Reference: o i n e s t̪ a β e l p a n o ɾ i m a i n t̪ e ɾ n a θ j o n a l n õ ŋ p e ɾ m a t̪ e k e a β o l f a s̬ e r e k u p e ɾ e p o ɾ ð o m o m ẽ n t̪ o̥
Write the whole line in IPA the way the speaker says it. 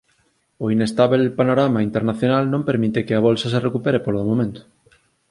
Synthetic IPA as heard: o i n e s t̪ a β e l p a n o ɾ a m a i n t̪ e ɾ n a θ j o n a l n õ m p e ɾ m i t̪ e k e a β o l s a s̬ e r e k u p e ɾ e p o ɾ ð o m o m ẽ n t̪ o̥